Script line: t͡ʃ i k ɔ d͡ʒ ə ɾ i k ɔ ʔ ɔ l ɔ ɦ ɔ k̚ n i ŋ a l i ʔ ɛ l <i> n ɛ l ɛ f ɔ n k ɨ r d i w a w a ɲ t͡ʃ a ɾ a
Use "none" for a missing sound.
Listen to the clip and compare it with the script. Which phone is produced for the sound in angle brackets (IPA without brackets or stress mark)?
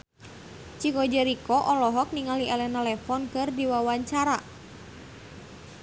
ɛ